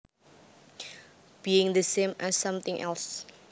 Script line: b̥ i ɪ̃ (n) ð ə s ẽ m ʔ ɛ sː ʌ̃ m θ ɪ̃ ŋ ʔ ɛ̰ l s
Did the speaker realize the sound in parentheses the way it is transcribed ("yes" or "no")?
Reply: no